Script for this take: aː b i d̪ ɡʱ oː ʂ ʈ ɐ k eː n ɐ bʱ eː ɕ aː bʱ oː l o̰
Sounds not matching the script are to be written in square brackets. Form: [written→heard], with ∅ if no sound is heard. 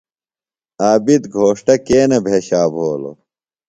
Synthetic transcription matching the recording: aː b i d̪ ɡʱ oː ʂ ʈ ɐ k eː n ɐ bʱ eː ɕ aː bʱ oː l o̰